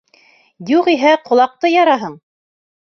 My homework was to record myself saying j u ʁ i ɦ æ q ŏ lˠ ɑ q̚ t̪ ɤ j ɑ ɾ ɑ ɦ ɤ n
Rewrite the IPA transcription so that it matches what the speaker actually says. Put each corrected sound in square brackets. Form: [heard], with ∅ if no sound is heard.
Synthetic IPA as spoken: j u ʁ i ɦ æ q ŏ lˠ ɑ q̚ t̪ ɤ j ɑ ɾ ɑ ɦ ɤ [ɴ]